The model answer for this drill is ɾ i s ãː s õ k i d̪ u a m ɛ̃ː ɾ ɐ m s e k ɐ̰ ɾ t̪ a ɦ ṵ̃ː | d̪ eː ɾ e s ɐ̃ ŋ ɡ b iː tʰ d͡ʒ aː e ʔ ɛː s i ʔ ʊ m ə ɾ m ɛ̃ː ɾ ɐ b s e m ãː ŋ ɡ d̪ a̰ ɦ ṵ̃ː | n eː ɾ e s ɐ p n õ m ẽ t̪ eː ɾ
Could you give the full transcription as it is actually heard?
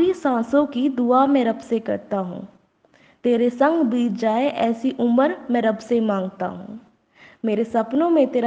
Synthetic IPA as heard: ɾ i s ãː s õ k i d̪ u a m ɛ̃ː ɾ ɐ b s e k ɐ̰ ɾ t̪ a ɦ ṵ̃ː | t̪ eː ɾ e s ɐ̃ ŋ ɡ b iː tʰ d͡ʒ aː e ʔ ɛː s i ʔ ʊ m ə ɾ m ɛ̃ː ɾ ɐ b s e m ãː ŋ ɡ t̪ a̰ ɦ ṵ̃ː | m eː ɾ e s ɐ p n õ m ẽ t̪ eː ɾ